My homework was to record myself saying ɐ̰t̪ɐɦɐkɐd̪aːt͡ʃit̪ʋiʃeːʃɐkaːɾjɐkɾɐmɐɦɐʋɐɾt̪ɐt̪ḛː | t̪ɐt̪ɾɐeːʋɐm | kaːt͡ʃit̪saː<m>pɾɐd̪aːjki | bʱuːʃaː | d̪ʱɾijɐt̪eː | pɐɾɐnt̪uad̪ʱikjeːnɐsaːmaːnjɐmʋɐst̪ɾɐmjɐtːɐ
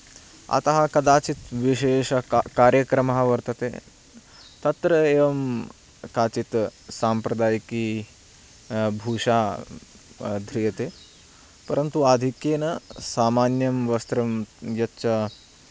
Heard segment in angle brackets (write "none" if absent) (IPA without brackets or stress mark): m